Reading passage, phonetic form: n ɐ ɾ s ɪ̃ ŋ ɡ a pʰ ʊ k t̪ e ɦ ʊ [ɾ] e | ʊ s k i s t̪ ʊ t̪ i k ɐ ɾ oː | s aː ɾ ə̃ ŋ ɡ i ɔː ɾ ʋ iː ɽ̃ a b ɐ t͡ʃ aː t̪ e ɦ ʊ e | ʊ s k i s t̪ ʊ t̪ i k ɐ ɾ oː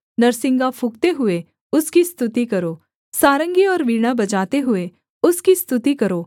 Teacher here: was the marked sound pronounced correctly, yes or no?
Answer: no